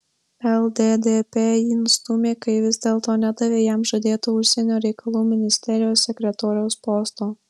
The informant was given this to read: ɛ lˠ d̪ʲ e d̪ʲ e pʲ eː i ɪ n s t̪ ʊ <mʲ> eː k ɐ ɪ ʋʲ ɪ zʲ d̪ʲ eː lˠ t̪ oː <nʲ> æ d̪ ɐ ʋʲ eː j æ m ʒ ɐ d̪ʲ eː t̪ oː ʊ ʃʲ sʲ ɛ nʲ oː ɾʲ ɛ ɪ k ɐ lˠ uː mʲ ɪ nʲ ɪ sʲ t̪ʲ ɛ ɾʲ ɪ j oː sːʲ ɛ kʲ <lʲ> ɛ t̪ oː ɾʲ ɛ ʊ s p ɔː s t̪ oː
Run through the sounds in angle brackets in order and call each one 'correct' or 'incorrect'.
correct, correct, incorrect: ɾʲ

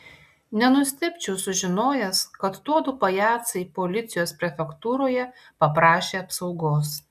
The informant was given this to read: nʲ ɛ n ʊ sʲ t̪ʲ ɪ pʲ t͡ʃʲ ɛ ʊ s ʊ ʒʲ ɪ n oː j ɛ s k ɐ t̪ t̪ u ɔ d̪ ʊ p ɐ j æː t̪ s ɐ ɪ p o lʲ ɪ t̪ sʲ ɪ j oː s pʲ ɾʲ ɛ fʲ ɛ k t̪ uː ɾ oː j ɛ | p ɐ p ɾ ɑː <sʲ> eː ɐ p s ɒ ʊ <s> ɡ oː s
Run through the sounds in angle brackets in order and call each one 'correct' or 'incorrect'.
incorrect: ʃʲ, incorrect: none

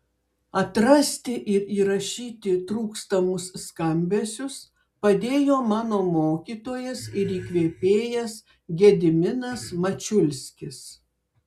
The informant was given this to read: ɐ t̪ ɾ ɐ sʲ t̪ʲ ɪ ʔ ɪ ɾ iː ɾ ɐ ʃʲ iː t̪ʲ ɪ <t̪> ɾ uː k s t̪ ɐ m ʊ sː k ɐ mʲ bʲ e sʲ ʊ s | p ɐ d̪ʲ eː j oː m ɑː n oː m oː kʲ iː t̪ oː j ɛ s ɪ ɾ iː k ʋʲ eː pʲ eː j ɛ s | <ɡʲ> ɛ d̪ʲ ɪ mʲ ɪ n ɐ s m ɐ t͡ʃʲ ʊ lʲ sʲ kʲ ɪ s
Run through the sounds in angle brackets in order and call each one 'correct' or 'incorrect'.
correct, correct

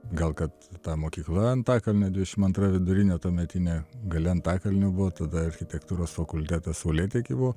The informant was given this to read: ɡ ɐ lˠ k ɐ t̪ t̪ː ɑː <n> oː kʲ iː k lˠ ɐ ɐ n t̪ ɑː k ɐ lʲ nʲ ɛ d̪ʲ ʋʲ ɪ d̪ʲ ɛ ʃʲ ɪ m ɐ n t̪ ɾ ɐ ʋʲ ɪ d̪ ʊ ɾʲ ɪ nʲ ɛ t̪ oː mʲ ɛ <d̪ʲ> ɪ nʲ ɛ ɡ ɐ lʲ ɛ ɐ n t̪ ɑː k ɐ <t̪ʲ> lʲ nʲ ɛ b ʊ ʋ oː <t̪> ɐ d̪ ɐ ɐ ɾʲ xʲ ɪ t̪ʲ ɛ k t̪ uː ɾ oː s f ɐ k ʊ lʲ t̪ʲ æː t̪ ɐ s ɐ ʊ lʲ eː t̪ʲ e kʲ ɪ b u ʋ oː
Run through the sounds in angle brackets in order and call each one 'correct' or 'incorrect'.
incorrect: m, incorrect: t̪ʲ, incorrect: none, correct

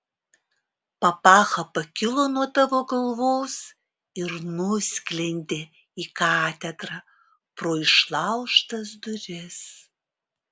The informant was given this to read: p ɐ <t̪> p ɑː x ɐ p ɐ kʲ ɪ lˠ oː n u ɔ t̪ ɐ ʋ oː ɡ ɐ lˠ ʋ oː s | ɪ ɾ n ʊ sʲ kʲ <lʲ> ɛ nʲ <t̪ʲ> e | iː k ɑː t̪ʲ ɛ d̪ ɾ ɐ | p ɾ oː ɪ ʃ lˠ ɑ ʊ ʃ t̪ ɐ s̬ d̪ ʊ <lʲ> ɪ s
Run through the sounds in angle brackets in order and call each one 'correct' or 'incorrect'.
incorrect: none, correct, incorrect: d̪ʲ, incorrect: ɾʲ

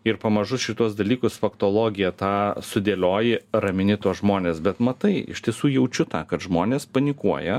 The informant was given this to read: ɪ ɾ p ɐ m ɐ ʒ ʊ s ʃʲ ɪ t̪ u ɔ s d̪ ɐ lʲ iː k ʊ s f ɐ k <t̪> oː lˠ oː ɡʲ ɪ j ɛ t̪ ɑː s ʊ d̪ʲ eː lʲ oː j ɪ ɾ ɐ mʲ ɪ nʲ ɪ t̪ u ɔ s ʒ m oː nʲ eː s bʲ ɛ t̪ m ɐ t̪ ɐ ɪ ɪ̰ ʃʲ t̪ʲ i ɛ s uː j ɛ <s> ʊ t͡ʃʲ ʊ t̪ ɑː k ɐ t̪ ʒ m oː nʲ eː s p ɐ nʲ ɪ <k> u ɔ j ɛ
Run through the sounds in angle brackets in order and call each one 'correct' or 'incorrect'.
correct, incorrect: none, correct

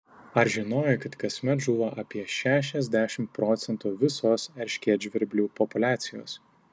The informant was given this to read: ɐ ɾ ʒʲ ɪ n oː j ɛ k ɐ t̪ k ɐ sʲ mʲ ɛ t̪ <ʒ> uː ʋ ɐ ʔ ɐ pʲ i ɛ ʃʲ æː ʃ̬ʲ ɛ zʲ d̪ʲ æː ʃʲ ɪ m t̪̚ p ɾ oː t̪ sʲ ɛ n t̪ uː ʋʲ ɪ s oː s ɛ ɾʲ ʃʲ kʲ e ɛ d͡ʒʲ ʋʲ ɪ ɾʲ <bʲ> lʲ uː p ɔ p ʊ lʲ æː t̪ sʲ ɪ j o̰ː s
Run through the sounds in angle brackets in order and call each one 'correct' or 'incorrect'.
correct, correct

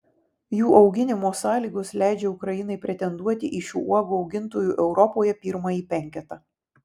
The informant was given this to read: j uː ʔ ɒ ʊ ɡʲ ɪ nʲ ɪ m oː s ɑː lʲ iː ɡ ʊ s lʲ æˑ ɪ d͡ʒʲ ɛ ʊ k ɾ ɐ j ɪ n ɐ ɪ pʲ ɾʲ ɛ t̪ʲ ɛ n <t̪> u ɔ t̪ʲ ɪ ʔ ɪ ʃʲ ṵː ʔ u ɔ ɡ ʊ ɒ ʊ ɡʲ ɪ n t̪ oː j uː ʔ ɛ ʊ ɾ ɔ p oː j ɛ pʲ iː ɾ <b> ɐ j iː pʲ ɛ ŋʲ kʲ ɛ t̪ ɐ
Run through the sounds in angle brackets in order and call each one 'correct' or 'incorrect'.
incorrect: d̪, incorrect: m

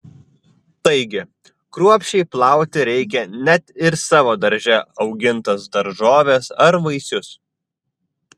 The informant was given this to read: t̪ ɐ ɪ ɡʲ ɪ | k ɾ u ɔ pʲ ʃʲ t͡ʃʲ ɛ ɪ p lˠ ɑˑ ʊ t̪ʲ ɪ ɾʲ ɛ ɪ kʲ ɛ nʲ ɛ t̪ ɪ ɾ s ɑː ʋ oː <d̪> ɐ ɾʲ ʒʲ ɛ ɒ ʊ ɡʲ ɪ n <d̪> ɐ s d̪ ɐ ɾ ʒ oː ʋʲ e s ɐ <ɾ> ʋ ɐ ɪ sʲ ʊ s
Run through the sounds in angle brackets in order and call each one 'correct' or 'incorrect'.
correct, incorrect: t̪, correct

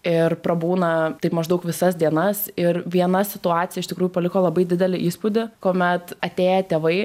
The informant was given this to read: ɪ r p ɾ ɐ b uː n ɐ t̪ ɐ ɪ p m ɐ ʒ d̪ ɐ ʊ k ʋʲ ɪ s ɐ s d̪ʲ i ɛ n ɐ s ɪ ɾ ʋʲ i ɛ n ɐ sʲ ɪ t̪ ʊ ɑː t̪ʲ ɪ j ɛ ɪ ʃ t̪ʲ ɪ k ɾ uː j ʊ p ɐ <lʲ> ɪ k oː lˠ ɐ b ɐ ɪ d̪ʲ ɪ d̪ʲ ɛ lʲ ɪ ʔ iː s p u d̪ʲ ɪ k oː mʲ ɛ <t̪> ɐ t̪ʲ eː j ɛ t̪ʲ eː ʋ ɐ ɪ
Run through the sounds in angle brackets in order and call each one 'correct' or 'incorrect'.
correct, correct

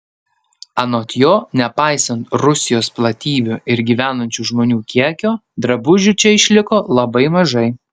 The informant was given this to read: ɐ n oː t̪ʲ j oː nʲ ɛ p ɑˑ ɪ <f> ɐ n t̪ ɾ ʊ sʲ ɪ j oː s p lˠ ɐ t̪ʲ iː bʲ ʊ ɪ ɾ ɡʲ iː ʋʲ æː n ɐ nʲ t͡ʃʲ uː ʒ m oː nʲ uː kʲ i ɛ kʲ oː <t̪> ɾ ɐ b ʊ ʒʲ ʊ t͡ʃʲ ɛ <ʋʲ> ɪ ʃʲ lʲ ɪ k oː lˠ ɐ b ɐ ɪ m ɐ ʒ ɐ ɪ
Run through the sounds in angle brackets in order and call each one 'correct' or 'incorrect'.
incorrect: s, incorrect: d̪, incorrect: none

